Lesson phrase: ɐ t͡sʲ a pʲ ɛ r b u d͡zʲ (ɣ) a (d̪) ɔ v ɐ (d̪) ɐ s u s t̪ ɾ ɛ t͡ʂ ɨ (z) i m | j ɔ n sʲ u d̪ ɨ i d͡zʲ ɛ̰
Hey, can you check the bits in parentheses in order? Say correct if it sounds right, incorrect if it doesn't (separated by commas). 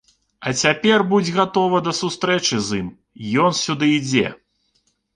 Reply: correct, incorrect, correct, correct